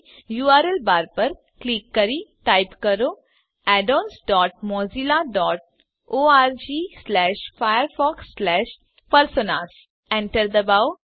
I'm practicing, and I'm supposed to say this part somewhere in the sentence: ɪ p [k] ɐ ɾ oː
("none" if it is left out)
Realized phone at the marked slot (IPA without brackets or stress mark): k